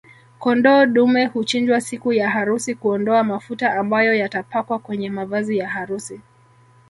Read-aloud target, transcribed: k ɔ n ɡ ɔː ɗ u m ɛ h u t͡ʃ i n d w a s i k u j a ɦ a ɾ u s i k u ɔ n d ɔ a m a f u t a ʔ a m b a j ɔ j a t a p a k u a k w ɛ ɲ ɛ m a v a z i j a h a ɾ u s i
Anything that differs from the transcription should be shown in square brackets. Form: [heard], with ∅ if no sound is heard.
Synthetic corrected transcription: k ɔ n [d] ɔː ɗ u m ɛ h u t͡ʃ i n [d͡ʒ] w a s i k u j a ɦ a ɾ u s i k u ɔ n d ɔ a m a f u t a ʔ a m b a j ɔ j a t a p a k [w] a k w ɛ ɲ ɛ m a v a z i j a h a ɾ u s i